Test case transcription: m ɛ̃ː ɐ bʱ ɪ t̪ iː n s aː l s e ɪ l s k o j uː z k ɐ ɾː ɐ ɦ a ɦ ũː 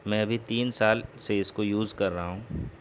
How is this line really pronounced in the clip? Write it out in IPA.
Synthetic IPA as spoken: m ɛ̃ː ɐ bʱ i t̪ iː n s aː l s e ɪ s k o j uː z k ɐ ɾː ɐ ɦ a ɦ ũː